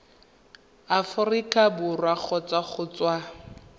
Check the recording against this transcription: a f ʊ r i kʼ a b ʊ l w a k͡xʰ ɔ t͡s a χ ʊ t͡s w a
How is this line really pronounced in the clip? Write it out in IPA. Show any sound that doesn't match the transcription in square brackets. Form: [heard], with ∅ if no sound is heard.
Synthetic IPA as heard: a f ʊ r i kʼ a b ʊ [r] w a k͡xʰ ɔ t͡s a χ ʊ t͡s w a